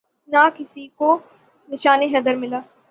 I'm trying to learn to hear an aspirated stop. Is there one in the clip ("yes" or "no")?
no